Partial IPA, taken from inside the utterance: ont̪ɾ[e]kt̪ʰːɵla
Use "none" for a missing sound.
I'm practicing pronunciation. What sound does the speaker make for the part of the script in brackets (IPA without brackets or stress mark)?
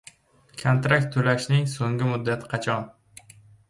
a